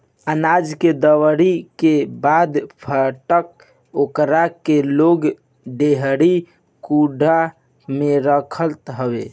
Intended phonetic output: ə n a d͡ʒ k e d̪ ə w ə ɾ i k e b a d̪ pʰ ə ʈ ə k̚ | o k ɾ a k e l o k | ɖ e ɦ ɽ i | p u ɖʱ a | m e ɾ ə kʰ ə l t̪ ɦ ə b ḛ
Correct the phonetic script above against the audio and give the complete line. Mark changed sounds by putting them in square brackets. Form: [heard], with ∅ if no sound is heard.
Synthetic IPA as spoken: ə n a d͡ʒ k e d̪ ə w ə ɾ i k e b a d̪ pʰ ə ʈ ə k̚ | o k ɾ a k e l o [ɡ] | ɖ e ɦ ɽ i | [k] u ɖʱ a | m e ɾ ə kʰ ə l t̪ ɦ ə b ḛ